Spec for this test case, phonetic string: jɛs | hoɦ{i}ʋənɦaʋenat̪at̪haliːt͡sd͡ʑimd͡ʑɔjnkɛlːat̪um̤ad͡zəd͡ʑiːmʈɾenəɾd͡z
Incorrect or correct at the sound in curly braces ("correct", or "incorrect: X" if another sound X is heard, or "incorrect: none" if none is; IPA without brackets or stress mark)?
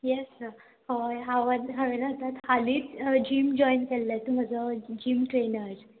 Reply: incorrect: a